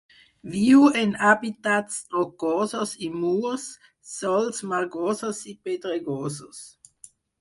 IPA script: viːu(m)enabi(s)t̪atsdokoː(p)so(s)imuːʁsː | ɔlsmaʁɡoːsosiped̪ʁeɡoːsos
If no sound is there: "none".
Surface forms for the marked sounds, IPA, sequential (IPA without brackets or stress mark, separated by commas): none, none, none, s